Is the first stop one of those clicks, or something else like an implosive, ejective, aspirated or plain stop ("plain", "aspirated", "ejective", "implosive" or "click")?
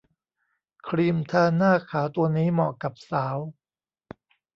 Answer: aspirated